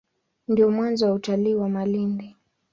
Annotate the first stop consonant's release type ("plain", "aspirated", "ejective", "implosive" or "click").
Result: plain